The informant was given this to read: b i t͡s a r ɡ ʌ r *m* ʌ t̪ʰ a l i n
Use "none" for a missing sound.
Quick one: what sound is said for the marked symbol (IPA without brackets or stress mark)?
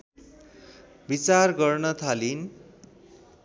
n